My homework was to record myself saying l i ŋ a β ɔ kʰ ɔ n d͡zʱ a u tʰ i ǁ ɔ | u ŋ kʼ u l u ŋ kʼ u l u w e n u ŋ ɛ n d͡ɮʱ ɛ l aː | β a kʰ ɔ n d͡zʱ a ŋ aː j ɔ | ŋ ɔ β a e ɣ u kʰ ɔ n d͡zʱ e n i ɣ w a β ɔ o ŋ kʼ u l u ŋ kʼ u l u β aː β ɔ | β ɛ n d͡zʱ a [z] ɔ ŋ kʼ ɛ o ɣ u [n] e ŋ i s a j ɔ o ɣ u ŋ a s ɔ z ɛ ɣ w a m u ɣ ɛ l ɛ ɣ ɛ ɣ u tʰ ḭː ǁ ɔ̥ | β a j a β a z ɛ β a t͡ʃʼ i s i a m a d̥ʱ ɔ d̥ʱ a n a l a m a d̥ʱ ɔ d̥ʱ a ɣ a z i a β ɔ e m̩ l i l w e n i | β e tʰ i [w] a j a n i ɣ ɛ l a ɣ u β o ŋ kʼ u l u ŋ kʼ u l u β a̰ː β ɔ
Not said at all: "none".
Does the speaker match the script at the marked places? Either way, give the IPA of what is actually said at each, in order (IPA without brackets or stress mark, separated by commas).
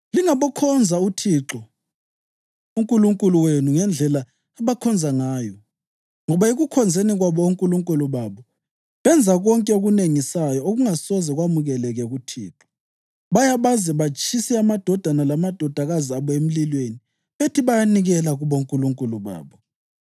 ɣ, n, β